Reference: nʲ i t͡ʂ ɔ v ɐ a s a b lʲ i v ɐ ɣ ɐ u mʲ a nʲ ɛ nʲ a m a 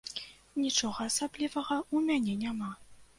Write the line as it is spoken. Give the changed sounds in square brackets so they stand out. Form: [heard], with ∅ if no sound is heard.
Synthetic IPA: nʲ i t͡ʂ ɔ [ɣ] ɐ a s a b lʲ i v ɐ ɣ ɐ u mʲ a nʲ ɛ nʲ a m a